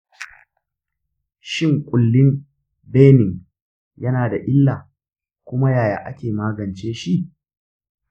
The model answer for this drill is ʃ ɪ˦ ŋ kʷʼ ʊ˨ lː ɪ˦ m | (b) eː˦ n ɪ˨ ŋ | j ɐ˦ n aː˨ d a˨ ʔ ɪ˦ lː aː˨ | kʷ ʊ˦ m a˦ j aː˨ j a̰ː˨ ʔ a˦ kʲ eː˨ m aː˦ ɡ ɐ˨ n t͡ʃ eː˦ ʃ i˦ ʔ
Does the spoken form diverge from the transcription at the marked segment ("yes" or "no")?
no